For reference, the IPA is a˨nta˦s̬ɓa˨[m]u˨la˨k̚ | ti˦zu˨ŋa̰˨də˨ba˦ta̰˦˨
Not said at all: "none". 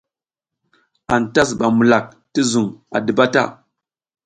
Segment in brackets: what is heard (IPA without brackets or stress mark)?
m